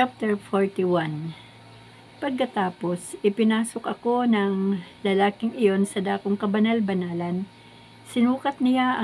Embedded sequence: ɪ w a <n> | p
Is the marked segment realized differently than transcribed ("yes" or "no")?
no